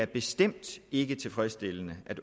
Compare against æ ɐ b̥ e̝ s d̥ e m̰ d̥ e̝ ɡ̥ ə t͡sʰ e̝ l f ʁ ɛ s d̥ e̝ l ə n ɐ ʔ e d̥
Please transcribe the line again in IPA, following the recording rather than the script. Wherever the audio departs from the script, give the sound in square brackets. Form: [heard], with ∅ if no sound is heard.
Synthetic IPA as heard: æ ɐ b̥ e̝ s d̥ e m̰ d̥ e̝ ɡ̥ ə t͡sʰ e̝ l f ʁ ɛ s d̥ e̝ l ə n [ə] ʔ [æ] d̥

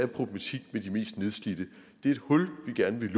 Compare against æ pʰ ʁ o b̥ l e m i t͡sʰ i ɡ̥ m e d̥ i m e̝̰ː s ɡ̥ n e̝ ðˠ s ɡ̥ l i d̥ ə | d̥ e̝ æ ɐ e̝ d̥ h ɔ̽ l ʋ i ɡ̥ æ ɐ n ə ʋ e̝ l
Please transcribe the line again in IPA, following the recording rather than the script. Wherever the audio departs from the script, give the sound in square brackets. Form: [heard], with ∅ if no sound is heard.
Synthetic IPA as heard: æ pʰ ʁ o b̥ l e m [æ] t͡sʰ i ɡ̥ m e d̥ i m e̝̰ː s [d̥] n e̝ ðˠ s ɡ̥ l i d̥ ə | d̥ e̝ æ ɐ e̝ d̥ h ɔ̽ l ʋ i ɡ̥ æ ɐ n ə ʋ e̝ l

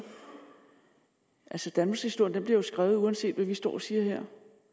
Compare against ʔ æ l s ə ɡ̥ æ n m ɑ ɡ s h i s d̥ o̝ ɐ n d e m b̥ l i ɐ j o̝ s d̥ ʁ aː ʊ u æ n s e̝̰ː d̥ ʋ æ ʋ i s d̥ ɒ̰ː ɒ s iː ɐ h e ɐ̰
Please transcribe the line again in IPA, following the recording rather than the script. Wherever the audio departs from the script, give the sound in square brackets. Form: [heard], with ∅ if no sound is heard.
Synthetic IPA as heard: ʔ æ l s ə [d̥] æ n m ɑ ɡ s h i s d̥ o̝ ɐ n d e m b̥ l i ɐ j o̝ s [ɡ̥] ʁ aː ʊ u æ n s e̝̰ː d̥ ʋ æ ʋ i s d̥ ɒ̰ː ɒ s iː ɐ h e ɐ̰

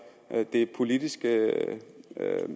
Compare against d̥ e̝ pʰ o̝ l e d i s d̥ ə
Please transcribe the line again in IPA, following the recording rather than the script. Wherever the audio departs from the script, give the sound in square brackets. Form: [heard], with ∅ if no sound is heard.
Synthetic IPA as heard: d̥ e̝ pʰ o̝ l [i] d i s [ɡ̥] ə

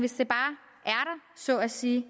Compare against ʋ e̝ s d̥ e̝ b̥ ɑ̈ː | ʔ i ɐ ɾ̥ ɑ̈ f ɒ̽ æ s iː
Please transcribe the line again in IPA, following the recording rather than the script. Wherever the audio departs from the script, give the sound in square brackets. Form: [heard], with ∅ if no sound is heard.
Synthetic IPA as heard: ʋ e̝ s d̥ e̝ b̥ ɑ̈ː | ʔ [æ] ɐ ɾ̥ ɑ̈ [s] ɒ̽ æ s iː

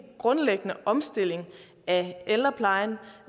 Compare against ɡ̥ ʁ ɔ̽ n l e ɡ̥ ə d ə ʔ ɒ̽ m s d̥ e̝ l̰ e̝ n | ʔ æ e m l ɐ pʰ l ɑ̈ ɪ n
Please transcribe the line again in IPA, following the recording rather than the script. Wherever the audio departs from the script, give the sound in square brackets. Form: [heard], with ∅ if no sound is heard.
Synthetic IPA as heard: ɡ̥ ʁ ɔ̽ n l e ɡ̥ ə [n] ə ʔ ɒ̽ m s d̥ e̝ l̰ e̝ [ŋ] | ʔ æ e [∅] l ɐ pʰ l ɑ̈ ɪ n

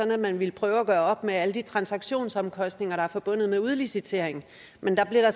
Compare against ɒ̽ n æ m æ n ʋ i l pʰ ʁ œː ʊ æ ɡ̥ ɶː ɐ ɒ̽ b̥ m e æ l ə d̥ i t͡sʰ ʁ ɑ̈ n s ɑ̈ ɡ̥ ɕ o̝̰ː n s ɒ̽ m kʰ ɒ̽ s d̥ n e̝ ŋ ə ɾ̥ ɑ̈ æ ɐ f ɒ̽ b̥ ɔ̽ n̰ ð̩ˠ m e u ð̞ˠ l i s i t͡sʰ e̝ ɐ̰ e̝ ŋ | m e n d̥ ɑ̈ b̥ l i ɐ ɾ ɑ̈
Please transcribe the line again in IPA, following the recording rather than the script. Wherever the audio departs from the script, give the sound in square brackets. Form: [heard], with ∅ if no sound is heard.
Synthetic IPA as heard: ɒ̽ n æ m æ n ʋ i l pʰ ʁ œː ʊ æ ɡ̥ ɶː ɐ ɒ̽ b̥ m e æ l ə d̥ i t͡sʰ ʁ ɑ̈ n s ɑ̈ ɡ̥ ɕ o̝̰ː n s ɒ̽ m kʰ ɒ̽ s d̥ n e̝ ŋ [ɐ] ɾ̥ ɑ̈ æ ɐ f ɒ̽ b̥ ɔ̽ n̰ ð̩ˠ m e u ð̞ˠ l i s i t͡sʰ e̝ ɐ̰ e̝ ŋ | m e n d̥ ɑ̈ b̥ l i ɐ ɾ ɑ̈

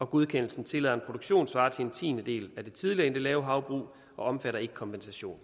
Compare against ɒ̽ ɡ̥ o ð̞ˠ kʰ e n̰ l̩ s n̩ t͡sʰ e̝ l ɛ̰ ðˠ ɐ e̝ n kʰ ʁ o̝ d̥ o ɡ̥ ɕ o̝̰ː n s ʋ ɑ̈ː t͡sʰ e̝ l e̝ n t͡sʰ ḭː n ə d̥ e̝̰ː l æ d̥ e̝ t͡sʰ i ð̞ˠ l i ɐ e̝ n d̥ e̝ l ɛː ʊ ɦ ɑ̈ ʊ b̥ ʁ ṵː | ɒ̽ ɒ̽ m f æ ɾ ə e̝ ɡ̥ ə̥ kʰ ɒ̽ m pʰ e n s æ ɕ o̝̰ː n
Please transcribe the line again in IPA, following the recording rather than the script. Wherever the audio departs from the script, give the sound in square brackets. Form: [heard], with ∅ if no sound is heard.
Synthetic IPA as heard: ɒ̽ ɡ̥ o ð̞ˠ kʰ e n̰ l̩ s n̩ t͡sʰ e̝ l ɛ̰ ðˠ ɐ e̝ n [pʰ] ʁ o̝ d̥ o ɡ̥ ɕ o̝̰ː n s ʋ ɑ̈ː t͡sʰ e̝ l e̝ n t͡sʰ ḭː n ə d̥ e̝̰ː l æ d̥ e̝ t͡sʰ i ð̞ˠ l i ɐ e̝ n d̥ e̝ l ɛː ʊ ɦ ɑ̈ ʊ b̥ ʁ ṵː | ɒ̽ ɒ̽ m f æ ɾ [ɐ] e̝ ɡ̥ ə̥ kʰ ɒ̽ m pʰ e n s æ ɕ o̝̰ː n

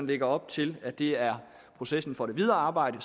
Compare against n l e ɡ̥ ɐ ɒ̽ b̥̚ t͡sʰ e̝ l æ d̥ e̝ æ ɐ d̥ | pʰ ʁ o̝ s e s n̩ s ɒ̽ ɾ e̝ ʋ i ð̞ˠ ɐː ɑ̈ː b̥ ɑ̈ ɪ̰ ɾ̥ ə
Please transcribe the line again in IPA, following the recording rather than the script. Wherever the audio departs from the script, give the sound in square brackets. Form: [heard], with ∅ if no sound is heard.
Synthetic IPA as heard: n l e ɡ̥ ɐ ɒ̽ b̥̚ t͡sʰ e̝ l æ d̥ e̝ æ ɐ [∅] | pʰ ʁ o̝ s e s n̩ [f] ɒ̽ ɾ e̝ ʋ i ð̞ˠ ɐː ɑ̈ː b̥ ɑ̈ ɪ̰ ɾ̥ ə

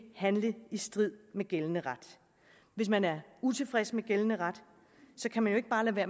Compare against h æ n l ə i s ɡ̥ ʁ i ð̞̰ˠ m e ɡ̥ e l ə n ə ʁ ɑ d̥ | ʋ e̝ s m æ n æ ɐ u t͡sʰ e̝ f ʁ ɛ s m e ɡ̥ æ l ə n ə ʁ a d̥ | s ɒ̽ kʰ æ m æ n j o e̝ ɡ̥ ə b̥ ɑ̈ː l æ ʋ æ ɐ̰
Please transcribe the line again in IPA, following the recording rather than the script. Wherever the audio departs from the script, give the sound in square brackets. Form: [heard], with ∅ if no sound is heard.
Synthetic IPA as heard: h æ n l ə i s [d̥] ʁ i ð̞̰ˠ m e ɡ̥ e l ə n ə ʁ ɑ d̥ | ʋ e̝ s m æ n æ ɐ u t͡sʰ e̝ f ʁ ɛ s m e ɡ̥ [e] l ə n ə ʁ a d̥ | s ɒ̽ kʰ æ m æ n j o e̝ ɡ̥ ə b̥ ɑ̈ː l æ ʋ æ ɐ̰

